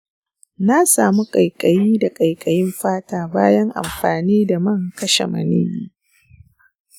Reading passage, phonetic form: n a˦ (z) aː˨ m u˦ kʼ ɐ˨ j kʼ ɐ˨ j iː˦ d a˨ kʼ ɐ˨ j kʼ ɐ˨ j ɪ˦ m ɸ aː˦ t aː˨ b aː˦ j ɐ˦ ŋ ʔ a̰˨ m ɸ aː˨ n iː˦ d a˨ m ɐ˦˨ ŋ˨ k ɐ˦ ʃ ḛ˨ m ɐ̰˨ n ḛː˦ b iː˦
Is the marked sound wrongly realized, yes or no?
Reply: yes